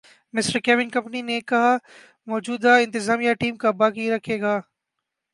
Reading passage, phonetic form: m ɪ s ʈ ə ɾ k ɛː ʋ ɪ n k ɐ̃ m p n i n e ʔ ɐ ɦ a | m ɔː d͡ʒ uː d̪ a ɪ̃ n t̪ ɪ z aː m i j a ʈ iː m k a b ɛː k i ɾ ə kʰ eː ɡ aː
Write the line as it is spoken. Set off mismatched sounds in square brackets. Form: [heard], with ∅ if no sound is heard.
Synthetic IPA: m ɪ s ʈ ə ɾ k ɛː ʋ ɪ n k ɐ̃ m p n i n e [k] ɐ ɦ a | m ɔː d͡ʒ uː d̪ a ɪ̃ n t̪ ɪ z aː m i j a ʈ iː m k a b [aː] k i ɾ [ɐ] kʰ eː ɡ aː